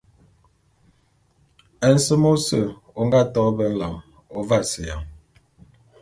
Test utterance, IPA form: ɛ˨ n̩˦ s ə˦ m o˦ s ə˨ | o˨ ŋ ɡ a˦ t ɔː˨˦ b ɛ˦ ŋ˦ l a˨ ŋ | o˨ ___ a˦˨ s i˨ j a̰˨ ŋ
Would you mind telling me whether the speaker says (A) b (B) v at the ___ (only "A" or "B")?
B